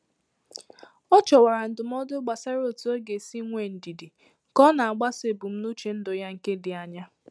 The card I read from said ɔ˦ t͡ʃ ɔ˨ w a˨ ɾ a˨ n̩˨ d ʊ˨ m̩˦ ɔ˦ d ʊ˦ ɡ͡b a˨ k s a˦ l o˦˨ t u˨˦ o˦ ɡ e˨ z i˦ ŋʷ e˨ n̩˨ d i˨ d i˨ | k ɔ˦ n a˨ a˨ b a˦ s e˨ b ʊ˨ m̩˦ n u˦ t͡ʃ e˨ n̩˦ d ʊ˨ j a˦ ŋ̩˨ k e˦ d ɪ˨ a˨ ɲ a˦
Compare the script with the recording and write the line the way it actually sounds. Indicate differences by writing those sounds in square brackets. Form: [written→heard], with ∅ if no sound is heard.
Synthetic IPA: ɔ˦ t͡ʃ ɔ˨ w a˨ ɾ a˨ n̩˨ d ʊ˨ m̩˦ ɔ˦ d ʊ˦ ɡ͡b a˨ [k→∅] s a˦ [l→ɾ] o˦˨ t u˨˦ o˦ ɡ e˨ [z→s] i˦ ŋʷ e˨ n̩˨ d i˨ d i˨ | k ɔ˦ n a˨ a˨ [b→ɡ͡b] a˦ s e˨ b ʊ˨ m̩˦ n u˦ t͡ʃ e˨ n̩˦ d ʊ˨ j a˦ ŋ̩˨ k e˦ d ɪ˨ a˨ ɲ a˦